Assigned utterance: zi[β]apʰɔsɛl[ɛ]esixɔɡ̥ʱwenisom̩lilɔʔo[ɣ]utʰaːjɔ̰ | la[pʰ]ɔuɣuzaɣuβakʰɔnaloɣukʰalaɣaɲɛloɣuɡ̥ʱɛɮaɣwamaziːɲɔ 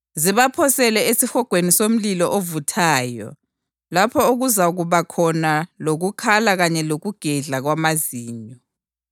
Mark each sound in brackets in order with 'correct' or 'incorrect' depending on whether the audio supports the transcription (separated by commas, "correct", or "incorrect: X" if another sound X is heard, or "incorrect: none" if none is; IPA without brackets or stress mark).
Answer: correct, correct, incorrect: v, correct